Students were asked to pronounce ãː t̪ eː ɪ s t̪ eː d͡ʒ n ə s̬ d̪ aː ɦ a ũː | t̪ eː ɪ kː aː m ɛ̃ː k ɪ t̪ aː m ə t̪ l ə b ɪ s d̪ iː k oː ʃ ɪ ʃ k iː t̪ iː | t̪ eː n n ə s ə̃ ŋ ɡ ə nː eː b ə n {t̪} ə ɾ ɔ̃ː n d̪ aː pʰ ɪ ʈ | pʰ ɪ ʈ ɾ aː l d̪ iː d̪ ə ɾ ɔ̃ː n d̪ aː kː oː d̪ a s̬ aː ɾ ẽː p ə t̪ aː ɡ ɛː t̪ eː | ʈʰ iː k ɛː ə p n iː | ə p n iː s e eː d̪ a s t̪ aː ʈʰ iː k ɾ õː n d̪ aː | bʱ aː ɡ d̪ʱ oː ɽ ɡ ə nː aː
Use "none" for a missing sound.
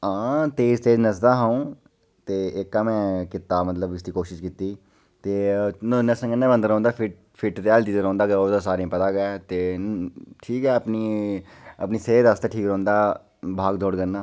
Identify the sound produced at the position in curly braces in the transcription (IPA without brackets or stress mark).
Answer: d̪